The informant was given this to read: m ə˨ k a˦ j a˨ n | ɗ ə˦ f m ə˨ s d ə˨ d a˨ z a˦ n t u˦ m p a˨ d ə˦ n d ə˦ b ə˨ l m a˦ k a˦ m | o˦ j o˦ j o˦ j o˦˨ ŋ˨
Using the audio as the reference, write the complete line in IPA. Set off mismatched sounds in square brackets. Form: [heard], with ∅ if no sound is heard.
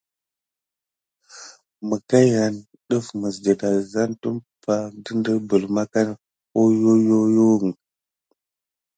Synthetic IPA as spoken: m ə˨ k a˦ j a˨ n | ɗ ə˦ f m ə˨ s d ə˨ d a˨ z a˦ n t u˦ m p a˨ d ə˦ n d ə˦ b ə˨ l m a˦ k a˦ [n] | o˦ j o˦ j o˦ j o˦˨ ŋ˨